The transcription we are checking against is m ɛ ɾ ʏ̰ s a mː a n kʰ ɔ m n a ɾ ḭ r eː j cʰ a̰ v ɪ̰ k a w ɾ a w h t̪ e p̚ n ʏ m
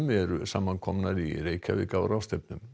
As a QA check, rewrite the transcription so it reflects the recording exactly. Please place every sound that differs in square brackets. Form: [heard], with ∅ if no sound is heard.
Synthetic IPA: m ɛ ɾ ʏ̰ s a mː a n kʰ ɔ m n a ɾ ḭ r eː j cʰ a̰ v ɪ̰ k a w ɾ a w [s] t̪ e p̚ n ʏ m